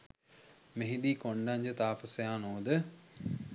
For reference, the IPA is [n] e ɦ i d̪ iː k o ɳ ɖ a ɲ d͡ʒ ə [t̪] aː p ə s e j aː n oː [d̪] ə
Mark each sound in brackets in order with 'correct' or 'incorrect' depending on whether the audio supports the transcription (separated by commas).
incorrect, correct, correct